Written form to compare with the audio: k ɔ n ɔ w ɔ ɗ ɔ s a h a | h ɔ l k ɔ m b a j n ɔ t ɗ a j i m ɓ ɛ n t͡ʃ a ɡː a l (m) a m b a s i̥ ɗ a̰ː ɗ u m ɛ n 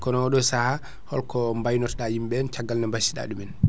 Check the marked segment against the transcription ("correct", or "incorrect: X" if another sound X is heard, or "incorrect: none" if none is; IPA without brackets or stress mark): incorrect: n